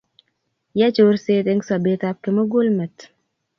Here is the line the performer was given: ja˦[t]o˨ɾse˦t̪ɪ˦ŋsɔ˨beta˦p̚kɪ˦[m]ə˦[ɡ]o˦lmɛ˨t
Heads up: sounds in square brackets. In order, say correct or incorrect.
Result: incorrect: t͡ʃ, correct, correct

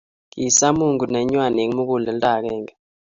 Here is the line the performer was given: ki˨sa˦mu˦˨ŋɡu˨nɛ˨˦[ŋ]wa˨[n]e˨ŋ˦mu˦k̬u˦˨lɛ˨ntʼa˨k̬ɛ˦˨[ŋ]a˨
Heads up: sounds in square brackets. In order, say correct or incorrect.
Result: incorrect: ɲ, correct, correct

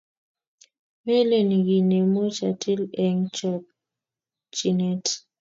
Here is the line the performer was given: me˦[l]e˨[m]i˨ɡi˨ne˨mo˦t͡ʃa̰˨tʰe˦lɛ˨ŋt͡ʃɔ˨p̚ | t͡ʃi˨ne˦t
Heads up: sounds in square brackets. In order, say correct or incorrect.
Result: correct, incorrect: n

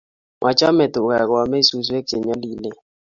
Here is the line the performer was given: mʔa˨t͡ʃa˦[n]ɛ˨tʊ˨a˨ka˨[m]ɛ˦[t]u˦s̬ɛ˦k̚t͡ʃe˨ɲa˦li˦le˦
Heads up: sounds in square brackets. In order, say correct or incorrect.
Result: incorrect: m, correct, incorrect: s

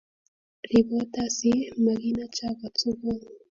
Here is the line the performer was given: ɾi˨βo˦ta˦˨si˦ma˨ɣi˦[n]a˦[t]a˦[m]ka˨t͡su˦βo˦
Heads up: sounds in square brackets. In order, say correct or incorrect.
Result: correct, incorrect: t͡ʃ, incorrect: none

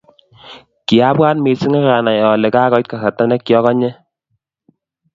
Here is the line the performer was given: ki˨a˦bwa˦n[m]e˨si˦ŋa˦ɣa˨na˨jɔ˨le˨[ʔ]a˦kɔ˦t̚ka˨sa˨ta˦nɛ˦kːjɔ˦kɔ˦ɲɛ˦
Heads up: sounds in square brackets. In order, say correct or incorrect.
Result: correct, incorrect: k

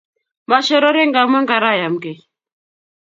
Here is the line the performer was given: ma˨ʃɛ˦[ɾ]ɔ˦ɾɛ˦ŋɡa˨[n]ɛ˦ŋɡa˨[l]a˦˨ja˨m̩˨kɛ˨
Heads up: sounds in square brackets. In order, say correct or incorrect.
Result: correct, incorrect: m, incorrect: ɾ

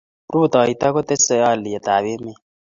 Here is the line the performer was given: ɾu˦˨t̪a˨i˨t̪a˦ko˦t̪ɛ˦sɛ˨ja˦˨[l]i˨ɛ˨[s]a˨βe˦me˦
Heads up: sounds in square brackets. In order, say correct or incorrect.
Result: correct, incorrect: t

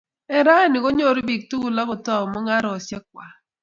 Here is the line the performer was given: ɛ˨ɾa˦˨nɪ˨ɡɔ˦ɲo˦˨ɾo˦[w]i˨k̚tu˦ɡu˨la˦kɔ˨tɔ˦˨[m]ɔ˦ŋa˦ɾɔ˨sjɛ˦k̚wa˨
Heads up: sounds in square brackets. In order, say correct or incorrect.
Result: incorrect: b, correct

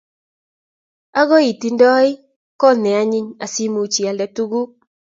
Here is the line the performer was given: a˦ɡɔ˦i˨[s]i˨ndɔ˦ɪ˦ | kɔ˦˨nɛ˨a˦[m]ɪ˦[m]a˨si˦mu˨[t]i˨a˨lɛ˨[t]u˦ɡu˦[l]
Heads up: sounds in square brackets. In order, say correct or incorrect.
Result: incorrect: t, incorrect: ɲ, incorrect: ɲ, incorrect: t͡ʃ, correct, incorrect: none

